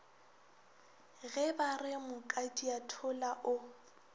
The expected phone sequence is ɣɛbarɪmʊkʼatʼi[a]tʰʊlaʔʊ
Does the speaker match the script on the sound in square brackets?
yes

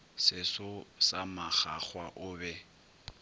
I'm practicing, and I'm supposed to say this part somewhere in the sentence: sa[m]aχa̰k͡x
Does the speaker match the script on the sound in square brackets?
yes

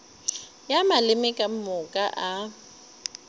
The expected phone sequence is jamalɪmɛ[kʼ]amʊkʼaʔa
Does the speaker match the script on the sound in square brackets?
yes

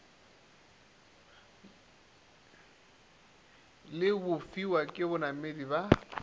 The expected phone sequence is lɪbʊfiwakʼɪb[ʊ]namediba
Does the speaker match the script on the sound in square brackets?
yes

